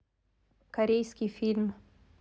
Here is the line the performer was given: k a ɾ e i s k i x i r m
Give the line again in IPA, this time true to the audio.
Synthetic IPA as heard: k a ɾ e j s k i f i l m